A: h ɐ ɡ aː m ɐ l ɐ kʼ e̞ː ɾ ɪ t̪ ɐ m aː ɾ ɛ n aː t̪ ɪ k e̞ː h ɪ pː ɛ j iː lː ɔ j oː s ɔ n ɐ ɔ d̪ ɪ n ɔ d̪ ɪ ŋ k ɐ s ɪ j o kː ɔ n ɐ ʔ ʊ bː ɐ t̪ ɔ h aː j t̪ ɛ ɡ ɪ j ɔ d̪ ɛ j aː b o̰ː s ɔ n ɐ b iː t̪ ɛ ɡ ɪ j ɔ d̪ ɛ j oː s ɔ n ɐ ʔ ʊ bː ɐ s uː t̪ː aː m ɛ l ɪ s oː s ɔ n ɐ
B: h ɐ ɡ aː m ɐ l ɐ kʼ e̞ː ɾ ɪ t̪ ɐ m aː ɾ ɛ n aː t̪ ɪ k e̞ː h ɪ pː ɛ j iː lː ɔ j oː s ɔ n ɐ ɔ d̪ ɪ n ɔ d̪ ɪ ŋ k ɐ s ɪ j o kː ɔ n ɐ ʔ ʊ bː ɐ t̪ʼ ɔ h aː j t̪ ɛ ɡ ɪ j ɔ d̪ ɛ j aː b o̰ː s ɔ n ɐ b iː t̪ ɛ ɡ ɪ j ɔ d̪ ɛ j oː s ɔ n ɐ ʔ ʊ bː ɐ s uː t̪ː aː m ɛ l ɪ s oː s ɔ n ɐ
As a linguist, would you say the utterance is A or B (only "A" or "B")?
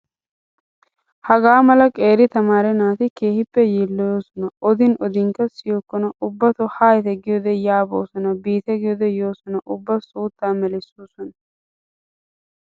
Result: A